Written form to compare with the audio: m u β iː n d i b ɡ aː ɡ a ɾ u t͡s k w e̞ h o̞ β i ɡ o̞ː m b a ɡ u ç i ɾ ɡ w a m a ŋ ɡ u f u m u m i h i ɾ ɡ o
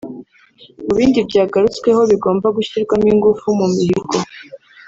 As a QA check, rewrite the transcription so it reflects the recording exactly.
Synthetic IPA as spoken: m u β iː n d i b ɟ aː ɡ a ɾ u t͡s k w e̞ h o̞ β i ɡ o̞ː m b a ɡ u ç i ɾ ɡ w a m i ŋ ɡ u f u m u m i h i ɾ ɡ o